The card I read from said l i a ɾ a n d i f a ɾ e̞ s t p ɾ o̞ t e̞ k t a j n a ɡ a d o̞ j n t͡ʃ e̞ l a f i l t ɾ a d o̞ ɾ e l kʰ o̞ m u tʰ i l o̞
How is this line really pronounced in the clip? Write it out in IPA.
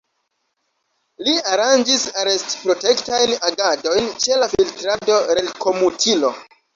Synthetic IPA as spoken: l i a ɾ a n d͡ʒ i s a ɾ e̞ s t p ɾ o̞ t e̞ k t a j n a ɡ a d o̞ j n t͡ʃ e̞ l a f i l t ɾ a d o̞ ɾ e l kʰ o̞ m u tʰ i l o̞

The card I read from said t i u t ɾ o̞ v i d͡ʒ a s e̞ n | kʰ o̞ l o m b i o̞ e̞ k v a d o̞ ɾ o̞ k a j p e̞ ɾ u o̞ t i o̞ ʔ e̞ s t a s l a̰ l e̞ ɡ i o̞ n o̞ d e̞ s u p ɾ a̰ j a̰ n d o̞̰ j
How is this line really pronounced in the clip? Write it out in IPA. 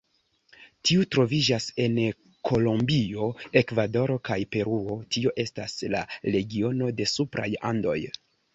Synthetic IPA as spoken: t i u t ɾ o̞ v i d͡ʒ a s e̞ n | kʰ o̞ l o m b i o̞ e̞ k v a d o̞ ɾ o̞ k a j p e̞ ɾ u o̞ t i o̞ ʔ e̞ s t a s l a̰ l e̞ ɡ i o̞ n o̞ d e̞ s u p ɾ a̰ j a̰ n d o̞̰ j

